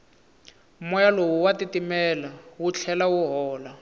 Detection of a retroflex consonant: absent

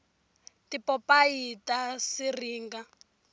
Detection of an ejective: absent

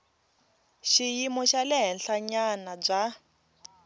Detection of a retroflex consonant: present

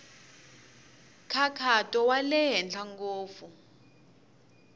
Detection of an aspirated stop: present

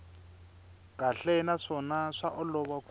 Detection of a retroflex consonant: present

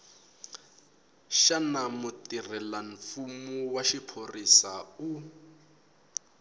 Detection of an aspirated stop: present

